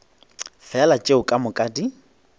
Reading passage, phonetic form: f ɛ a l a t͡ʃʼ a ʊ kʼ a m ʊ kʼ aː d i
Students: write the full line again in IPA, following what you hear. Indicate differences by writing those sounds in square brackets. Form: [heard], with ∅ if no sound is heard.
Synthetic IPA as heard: f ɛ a l a t͡ʃʼ [e] ʊ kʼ a m ʊ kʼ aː d i